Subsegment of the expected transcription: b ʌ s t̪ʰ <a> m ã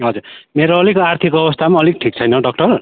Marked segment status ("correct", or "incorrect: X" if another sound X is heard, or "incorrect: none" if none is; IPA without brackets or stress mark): correct